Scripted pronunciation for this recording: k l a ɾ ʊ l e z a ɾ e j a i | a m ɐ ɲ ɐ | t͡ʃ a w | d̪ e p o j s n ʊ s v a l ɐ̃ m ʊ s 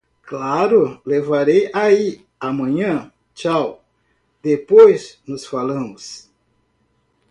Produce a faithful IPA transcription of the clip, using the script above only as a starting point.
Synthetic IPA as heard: k l a ɾ ʊ l e v a ɾ e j a i | a m ɐ̃ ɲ ɐ̃ | t͡ʃ a w | d̪ e p o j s n ʊ s f a l ɐ̃ m ʊ s

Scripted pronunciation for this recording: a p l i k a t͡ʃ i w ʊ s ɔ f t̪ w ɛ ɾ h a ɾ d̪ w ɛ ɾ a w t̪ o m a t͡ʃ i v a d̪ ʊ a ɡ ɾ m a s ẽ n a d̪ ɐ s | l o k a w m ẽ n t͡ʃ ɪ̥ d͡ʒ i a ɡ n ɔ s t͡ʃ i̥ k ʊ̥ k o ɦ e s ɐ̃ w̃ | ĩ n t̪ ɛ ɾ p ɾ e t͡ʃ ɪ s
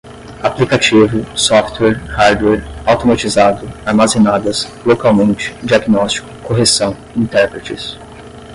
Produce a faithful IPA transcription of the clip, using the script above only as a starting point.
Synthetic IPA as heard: a p l i k a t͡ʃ i v ʊ s ɔ f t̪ w ɛ ɾ h a ɾ d̪ w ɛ ɾ a w t̪ o m a t͡ʃ i z a d̪ ʊ a ɾ m a z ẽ n a d̪ ɐ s | l o k a w m ẽ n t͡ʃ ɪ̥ d͡ʒ i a ɡ n ɔ s t͡ʃ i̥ k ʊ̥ k o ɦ e s ɐ̃ w̃ | ĩ n t̪ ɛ ɾ p ɾ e t͡ʃ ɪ s

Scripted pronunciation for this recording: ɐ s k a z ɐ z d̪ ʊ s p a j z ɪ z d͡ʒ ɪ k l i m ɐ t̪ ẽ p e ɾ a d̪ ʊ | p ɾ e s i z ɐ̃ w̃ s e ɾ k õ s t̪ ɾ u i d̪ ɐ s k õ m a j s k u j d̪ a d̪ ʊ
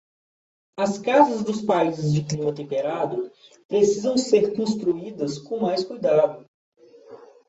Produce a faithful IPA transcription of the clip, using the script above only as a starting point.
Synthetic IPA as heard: ɐ s k a z ɐ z d̪ ʊ s p a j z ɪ z d͡ʒ ɪ k l i m ɐ t̪ ẽ p e ɾ a d̪ ʊ | p ɾ e s i z ɐ̃ w̃ s e ɾ k õ s t̪ ɾ u i d̪ ɐ s k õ m a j s k u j d̪ a d̪ ʊ

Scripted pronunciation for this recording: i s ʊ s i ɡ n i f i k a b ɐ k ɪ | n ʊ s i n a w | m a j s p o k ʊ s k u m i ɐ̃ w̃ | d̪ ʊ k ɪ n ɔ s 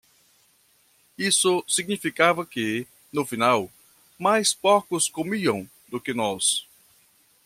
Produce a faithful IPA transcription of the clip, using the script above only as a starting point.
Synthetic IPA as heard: i s ʊ s i ɡ n i f i k a v ɐ k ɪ | n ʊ f i n a w | m a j s p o k ʊ s k o m i ɐ̃ w̃ | d̪ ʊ k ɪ n ɔ s

